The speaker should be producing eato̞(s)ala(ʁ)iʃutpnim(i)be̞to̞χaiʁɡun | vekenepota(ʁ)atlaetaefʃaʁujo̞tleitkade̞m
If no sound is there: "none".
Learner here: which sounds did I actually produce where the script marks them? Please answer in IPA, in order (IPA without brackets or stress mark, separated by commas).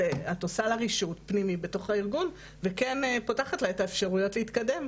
s, ʁ, i, χ